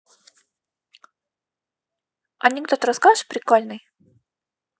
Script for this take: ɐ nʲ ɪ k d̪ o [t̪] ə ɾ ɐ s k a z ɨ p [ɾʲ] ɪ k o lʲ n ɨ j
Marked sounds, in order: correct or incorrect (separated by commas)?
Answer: correct, correct